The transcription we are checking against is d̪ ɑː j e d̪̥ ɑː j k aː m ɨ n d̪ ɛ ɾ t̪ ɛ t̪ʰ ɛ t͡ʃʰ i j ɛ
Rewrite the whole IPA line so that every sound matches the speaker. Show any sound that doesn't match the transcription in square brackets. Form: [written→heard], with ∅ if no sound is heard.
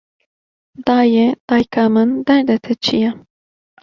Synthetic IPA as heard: d̪ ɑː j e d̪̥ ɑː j k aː m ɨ n d̪ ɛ ɾ [t̪→d̪] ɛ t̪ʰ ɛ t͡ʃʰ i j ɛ

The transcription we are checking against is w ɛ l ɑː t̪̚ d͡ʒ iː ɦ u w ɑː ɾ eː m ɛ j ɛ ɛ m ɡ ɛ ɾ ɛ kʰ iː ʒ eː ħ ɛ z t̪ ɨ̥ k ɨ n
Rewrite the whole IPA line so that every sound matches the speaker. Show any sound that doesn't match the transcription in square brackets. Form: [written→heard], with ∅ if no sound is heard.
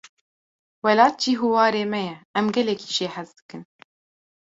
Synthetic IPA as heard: w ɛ l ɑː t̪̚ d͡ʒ iː ɦ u w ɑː ɾ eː m ɛ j ɛ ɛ m ɡ ɛ [ɾ→l] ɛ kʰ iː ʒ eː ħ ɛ z [t̪→d̪] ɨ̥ k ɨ n

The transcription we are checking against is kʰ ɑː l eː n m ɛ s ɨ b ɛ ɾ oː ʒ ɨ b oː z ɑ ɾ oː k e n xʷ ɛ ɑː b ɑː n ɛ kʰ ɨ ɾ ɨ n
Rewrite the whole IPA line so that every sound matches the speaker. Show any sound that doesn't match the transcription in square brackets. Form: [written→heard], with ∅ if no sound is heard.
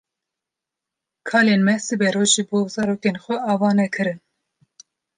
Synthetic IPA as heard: kʰ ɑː l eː n m ɛ s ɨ b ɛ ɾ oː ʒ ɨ b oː z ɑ ɾ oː k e n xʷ ɛ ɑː [b→v] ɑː n ɛ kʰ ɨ ɾ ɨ n

